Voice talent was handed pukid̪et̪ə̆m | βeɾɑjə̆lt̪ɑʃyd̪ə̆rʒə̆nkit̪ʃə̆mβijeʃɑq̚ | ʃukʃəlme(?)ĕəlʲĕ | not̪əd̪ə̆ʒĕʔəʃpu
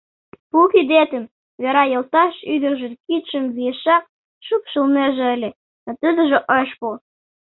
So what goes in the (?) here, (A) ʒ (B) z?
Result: A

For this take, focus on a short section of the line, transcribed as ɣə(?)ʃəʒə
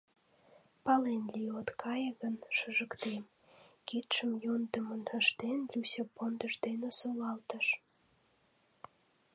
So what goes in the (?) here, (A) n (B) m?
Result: A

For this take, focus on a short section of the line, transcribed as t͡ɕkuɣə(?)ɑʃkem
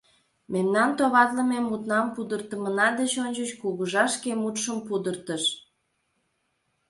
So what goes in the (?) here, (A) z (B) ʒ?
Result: B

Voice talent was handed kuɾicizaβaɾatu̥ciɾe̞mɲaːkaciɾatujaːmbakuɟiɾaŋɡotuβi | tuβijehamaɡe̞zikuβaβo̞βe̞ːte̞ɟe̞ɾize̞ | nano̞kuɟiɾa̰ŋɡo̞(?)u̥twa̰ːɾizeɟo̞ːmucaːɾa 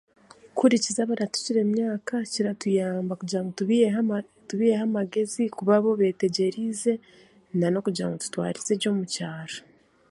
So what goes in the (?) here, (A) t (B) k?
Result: A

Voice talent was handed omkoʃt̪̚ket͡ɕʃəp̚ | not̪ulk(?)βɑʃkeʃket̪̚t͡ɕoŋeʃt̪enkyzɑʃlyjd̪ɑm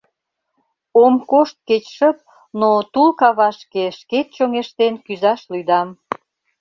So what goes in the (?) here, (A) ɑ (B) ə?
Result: A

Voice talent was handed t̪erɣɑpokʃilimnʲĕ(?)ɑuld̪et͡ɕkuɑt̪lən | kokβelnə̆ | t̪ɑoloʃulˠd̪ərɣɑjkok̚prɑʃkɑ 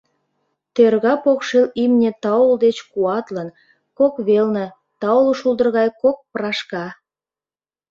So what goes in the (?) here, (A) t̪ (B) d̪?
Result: A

